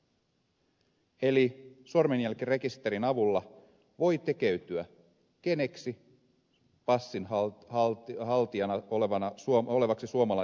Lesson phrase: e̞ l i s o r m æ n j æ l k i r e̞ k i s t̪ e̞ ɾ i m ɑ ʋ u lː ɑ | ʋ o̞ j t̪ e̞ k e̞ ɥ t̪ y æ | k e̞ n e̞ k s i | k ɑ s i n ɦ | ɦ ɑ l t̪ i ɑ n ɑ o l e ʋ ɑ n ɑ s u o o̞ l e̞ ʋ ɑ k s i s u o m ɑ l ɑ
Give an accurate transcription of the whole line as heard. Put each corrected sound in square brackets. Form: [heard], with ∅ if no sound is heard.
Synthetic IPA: e̞ l i s o r m [e] n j æ l k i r e̞ k i s t̪ e̞ ɾ i [n] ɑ ʋ u lː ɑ | ʋ o̞ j t̪ e̞ k e̞ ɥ t̪ y æ | k e̞ n e̞ k s i | [p] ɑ [sː] i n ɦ | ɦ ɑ l t̪ i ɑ n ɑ o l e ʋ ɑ n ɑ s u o o̞ l e̞ ʋ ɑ k s i s u o m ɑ l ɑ